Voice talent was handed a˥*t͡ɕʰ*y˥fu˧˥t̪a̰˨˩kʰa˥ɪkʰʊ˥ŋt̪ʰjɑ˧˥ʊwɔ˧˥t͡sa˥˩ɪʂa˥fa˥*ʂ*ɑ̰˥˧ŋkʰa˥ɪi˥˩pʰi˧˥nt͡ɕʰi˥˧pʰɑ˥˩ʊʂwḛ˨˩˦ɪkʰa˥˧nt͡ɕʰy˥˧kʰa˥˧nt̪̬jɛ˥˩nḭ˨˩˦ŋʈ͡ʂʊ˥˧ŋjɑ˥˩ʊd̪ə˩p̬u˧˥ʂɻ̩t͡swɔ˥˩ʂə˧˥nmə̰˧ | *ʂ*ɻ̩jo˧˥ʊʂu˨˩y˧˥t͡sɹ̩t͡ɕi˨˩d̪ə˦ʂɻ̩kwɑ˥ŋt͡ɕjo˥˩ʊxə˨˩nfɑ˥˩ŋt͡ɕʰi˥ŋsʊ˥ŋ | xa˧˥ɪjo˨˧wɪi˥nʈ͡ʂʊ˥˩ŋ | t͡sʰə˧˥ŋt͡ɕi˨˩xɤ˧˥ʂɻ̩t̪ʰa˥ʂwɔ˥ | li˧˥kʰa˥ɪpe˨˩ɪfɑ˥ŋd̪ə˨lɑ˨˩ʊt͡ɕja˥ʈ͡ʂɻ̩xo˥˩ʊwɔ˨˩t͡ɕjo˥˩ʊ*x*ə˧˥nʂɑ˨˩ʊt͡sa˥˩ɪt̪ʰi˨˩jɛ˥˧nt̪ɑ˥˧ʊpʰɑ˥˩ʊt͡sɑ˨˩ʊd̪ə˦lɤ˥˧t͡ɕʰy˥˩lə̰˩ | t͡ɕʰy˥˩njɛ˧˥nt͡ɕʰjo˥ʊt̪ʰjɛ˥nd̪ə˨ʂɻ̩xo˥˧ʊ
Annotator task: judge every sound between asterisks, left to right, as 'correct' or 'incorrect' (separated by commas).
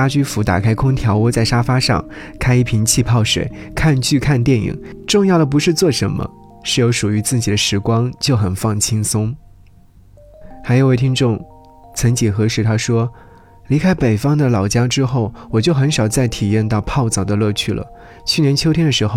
incorrect, correct, correct, correct